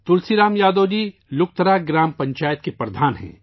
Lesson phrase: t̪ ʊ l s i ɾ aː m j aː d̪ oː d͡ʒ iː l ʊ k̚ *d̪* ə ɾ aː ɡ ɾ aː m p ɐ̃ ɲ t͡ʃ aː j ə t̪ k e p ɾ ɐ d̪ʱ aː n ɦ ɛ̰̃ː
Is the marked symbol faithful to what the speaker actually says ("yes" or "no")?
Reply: no